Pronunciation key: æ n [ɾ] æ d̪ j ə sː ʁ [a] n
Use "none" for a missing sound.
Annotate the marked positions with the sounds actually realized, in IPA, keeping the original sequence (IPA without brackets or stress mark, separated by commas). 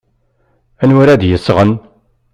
ɾ, ə